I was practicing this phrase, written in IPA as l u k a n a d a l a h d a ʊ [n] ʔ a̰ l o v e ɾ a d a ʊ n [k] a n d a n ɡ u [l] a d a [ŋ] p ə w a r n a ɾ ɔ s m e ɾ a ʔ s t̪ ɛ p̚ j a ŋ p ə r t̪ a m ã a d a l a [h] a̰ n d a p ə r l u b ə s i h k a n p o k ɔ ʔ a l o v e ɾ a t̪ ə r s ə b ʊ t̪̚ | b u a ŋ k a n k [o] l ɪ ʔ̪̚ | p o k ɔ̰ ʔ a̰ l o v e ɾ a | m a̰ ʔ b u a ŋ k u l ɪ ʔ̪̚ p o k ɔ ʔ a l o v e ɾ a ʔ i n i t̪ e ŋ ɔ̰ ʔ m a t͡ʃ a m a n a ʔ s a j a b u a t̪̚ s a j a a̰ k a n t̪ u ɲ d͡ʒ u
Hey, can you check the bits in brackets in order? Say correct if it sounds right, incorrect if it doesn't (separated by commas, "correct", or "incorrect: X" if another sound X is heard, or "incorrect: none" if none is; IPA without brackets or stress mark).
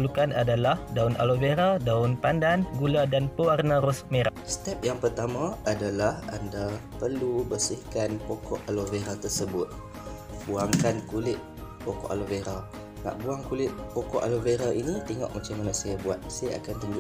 correct, incorrect: p, correct, incorrect: n, correct, incorrect: u